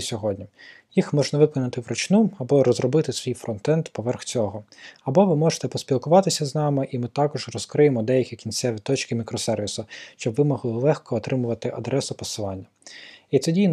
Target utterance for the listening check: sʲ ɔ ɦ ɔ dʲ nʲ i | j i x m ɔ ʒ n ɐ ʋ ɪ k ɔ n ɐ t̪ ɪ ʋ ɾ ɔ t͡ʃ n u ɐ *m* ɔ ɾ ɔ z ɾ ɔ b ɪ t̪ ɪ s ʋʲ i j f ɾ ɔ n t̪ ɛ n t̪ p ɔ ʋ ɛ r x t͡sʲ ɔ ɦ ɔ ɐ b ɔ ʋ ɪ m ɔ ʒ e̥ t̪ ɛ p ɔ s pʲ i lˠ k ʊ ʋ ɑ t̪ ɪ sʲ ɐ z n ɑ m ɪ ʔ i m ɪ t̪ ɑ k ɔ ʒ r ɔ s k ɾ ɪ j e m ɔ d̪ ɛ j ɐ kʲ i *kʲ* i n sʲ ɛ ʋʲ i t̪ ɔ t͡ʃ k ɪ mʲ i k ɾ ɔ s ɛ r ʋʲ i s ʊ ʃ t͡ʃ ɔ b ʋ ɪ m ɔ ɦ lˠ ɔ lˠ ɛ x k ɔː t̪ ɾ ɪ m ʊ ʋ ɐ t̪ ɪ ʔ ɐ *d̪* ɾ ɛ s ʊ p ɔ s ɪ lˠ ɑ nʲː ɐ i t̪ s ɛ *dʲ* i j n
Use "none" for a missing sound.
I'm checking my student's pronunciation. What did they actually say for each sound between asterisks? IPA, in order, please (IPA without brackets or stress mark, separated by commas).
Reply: b, kʲ, d̪, dʲ